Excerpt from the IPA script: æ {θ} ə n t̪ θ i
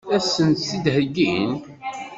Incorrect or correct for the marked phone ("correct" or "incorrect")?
incorrect